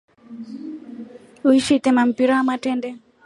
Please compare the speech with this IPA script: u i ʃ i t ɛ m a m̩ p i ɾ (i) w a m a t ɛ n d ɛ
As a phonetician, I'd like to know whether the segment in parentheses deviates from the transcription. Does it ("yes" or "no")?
yes